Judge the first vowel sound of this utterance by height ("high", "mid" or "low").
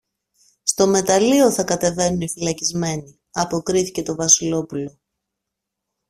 mid